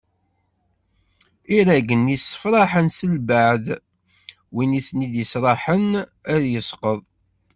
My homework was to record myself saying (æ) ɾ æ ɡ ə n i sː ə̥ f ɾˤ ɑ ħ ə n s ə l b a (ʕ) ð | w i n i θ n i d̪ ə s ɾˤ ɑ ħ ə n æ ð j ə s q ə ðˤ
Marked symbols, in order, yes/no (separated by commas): no, yes